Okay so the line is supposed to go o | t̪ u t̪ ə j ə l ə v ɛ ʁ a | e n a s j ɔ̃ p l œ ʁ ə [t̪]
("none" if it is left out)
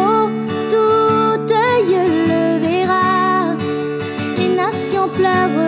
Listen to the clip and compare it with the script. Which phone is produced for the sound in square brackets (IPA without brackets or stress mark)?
none